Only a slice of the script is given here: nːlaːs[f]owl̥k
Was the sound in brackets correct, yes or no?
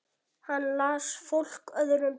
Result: yes